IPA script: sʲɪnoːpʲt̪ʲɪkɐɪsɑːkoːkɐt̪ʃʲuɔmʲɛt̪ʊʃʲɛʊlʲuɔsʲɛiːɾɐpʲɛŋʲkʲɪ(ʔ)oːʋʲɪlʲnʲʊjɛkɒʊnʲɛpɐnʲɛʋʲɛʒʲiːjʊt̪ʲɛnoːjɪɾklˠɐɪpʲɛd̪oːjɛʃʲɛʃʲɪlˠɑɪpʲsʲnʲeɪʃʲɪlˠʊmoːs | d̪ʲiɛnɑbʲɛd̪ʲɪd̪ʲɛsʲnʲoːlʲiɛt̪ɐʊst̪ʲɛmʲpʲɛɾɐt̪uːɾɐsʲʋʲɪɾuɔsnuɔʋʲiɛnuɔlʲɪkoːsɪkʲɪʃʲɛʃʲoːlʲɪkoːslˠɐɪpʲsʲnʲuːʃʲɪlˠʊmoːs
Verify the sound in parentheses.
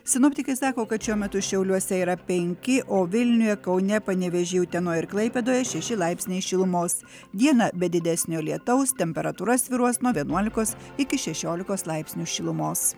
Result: correct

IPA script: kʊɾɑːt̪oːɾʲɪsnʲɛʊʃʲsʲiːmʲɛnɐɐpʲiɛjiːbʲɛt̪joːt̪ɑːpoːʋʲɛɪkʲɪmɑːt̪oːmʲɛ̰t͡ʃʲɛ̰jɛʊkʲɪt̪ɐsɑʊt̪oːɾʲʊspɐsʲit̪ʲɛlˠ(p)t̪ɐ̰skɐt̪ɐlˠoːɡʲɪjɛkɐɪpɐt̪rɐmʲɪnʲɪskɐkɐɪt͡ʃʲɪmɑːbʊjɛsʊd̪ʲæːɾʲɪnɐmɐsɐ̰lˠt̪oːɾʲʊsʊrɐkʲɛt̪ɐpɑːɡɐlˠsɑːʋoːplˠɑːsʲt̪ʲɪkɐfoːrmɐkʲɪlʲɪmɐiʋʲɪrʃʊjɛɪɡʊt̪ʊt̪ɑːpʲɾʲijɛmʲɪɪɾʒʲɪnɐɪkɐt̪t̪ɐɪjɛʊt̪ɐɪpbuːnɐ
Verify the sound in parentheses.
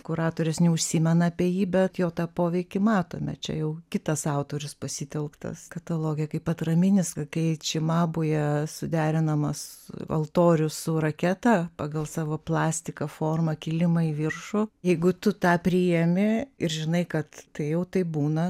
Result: incorrect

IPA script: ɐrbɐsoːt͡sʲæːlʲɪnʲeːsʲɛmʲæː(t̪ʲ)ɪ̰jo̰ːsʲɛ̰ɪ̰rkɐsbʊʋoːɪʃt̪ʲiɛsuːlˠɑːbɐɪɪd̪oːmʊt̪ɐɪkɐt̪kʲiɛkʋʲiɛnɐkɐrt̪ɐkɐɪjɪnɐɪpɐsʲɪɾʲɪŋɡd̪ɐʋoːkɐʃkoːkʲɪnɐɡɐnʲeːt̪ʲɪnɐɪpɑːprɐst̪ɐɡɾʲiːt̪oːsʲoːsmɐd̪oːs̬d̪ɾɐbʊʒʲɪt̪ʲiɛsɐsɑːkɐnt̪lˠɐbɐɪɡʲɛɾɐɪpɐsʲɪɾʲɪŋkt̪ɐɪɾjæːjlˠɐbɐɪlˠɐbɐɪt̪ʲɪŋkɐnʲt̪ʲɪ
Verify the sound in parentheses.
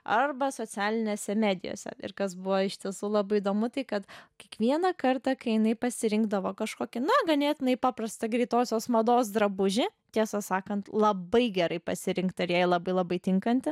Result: incorrect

